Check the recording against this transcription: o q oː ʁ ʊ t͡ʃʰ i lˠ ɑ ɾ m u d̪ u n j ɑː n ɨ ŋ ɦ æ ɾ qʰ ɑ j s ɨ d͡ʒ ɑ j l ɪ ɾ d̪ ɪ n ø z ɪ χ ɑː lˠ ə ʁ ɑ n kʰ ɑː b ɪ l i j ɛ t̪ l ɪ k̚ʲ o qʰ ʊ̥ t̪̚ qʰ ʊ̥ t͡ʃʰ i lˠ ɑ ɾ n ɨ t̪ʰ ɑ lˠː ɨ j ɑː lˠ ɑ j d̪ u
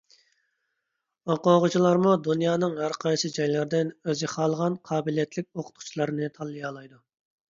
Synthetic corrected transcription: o q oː ʁ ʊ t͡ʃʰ i lˠ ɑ ɾ m u d̪ u n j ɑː n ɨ ŋ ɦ æ ɾ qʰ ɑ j s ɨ d͡ʒ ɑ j l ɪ ɾ d̪ ɪ n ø z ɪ χ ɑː lˠ ə ʁ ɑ n qʰ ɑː b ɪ l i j ɛ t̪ l ɪ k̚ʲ o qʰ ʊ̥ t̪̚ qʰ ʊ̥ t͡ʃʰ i lˠ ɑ ɾ n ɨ t̪ʰ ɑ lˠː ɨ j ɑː lˠ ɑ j d̪ u

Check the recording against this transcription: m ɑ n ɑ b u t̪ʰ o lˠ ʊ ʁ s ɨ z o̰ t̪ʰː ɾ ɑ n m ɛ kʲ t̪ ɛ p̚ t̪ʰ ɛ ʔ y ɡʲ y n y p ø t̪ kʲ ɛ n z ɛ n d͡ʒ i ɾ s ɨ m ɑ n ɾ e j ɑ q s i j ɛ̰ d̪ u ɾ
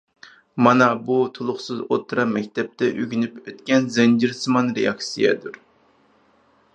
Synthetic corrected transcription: m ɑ n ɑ b u t̪ʰ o lˠ ʊ χ s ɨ z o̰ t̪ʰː ɾ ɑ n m ɛ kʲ t̪ ɛ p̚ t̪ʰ ɛ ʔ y ɡʲ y n y p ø t̪ kʲ ɛ n z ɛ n d͡ʒ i ɾ s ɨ m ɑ n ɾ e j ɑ k s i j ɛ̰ d̪ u ɾ

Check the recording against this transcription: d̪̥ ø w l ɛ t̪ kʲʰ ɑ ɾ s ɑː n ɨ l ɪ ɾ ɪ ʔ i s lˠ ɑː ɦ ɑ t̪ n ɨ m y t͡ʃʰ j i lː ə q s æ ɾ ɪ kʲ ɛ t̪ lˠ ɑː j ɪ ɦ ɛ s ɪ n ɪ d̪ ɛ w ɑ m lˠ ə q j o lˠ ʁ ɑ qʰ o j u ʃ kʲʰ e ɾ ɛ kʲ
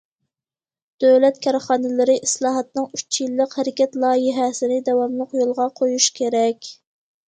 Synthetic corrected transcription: d̪̥ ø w l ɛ t̪ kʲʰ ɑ ɾ χ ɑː n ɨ l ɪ ɾ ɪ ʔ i s lˠ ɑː ɦ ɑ t̪ n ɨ ŋ y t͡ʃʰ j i lː ə q h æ ɾ ɪ kʲ ɛ t̪ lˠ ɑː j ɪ ɦ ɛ s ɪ n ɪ d̪ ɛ w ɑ m lˠ ə q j o lˠ ʁ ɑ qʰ o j u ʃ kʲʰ e ɾ ɛ kʲ

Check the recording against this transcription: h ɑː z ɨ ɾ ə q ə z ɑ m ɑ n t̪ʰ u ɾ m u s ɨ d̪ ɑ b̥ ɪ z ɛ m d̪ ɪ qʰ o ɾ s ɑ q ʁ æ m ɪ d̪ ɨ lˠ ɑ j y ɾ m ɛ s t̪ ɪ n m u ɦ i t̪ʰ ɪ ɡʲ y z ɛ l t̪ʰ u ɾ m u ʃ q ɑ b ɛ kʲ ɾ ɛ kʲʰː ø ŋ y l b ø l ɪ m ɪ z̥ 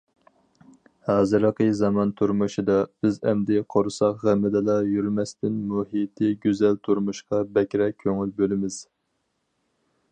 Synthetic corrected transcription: h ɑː z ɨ ɾ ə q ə z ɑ m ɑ n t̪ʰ u ɾ m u ʃ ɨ d̪ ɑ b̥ ɪ z ɛ m d̪ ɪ qʰ o ɾ s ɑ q ʁ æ m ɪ d̪ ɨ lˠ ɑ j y ɾ m ɛ s t̪ ɪ n m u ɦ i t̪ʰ ɪ ɡʲ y z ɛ l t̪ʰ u ɾ m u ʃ q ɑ b ɛ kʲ ɾ ɛ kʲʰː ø ŋ y l b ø l ɪ m ɪ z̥

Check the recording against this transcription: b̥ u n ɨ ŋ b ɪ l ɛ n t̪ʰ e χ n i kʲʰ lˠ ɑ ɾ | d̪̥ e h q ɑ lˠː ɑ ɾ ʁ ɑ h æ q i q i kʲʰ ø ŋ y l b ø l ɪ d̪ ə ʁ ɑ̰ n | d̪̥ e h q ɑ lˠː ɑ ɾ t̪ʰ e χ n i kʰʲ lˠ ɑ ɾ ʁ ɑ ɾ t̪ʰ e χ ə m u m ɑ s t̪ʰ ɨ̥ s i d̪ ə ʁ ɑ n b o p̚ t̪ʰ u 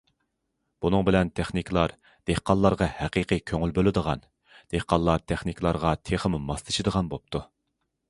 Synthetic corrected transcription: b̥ u n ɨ ŋ b ɪ l ɛ n t̪ʰ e χ n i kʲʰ lˠ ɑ ɾ | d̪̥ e h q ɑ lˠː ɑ ɾ ʁ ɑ h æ q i q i kʲʰ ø ŋ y l b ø l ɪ d̪ ə ʁ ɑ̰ n | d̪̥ e h q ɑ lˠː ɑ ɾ t̪ʰ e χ n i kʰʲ lˠ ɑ ɾ ʁ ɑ t̪ʰ e χ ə m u m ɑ s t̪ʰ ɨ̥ ʃ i d̪ ə ʁ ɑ n b o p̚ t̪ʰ u

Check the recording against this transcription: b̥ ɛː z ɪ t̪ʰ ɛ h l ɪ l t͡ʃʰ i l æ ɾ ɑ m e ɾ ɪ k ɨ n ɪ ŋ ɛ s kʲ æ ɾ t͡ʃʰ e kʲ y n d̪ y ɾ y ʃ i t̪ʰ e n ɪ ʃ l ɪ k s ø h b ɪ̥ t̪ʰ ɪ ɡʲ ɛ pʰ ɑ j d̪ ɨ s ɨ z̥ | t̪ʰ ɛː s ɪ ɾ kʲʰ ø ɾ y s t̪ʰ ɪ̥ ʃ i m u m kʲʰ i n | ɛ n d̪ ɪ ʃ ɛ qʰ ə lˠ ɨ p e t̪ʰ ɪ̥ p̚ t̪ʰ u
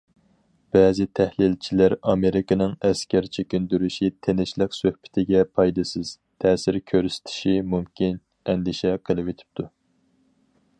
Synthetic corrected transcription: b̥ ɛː z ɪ t̪ʰ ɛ h l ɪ l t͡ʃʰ i l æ ɾ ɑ m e ɾ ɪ k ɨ n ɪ ŋ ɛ s kʲ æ ɾ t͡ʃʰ e kʲ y n d̪ y ɾ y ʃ i t̪ʰ e n ɪ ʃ l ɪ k s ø h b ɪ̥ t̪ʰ ɪ ɡʲ ɛ pʰ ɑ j d̪ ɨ s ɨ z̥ | t̪ʰ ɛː s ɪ ɾ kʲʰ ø ɾ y s t̪ʰ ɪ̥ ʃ i m u m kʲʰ i n | ɛ n d̪ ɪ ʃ ɛ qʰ ə lˠ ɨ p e t̪ʰ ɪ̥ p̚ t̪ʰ u

